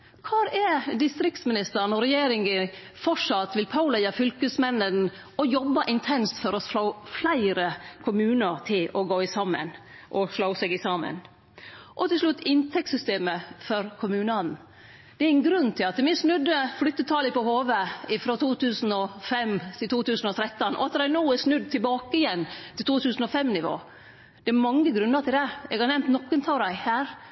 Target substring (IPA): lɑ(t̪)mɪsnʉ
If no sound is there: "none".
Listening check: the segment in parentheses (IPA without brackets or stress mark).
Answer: t̪